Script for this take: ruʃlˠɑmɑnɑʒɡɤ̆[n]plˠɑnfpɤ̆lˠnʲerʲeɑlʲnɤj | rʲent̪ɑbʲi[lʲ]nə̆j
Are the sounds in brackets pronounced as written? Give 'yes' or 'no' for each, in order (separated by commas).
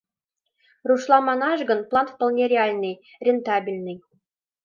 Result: yes, yes